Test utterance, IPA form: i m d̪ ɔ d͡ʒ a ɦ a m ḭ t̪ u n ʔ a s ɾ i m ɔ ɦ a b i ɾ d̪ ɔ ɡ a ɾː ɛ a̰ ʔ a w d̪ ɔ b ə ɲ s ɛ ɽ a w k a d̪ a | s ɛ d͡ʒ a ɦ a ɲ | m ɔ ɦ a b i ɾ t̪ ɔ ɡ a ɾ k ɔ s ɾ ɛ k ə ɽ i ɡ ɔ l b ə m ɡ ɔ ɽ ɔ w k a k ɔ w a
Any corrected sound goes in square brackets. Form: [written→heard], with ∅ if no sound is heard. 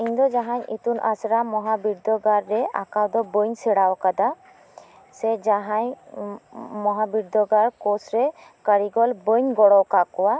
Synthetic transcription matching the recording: i [m→ɲ] d̪ ɔ d͡ʒ a ɦ a [m→ɲ] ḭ t̪ u n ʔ a s ɾ [i→a] m ɔ ɦ a b i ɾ d̪ ɔ ɡ a ɾː ɛ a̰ [ʔ→k] a w d̪ ɔ b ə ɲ s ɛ ɽ a w k a d̪ a | s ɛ d͡ʒ a ɦ a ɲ | m ɔ ɦ a b i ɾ [t̪→d̪] ɔ ɡ a ɾ k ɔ s ɾ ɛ k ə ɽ i ɡ ɔ l b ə [m→ɲ] ɡ ɔ ɽ ɔ w k a k ɔ w a